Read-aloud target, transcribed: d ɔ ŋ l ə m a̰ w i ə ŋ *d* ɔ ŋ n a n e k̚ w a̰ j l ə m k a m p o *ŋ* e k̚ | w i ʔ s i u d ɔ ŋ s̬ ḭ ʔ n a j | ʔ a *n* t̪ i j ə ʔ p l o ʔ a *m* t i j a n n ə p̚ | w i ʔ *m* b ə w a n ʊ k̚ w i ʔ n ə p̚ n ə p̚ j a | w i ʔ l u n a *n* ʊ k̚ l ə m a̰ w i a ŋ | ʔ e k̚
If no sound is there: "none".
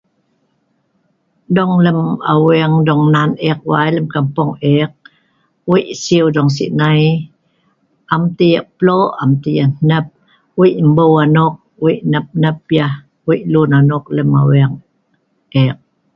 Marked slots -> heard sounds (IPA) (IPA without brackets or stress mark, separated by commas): d, ŋ, m, m, m, n